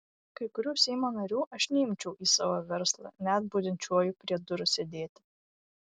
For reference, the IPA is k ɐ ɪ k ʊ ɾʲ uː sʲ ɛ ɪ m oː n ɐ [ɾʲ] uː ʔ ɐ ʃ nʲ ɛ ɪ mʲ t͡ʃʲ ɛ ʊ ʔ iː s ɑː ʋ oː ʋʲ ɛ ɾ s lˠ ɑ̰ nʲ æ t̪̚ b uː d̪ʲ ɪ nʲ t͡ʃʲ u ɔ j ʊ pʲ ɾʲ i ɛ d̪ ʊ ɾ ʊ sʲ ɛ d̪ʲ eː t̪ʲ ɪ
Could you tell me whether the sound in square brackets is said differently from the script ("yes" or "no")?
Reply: no